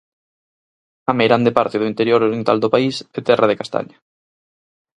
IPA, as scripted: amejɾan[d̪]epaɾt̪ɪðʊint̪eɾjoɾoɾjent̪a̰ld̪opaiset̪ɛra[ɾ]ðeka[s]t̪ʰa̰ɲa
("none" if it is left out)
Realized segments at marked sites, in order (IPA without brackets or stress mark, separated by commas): d̪, none, s